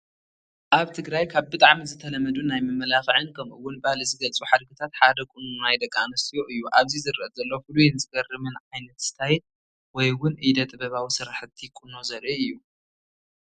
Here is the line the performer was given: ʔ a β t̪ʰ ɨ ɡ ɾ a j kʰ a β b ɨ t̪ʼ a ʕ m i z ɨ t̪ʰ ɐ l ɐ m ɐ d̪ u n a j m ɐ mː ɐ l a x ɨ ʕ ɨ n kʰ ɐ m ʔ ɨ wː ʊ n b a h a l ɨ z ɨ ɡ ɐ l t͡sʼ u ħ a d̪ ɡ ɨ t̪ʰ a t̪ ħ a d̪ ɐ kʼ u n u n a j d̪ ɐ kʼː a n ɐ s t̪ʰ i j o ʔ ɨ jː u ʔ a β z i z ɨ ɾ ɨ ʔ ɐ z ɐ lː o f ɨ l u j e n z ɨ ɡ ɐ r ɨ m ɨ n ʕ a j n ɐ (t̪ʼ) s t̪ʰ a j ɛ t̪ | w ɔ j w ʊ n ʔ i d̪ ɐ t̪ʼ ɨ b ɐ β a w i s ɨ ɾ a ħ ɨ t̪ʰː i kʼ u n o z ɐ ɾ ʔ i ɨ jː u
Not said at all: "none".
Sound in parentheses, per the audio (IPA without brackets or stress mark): t̪